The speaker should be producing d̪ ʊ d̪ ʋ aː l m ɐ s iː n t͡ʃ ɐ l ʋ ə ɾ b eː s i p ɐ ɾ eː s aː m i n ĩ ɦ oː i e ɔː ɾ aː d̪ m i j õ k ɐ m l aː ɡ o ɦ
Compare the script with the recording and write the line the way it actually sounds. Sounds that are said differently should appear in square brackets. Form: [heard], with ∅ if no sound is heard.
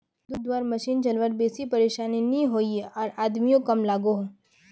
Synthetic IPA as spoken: d̪ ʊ d̪ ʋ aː [ɾ] m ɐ [ʃ] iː n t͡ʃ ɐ l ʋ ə ɾ b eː s i p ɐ ɾ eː [ʃ] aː [n] i n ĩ ɦ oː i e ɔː ɾ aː d̪ m i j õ k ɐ m l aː ɡ o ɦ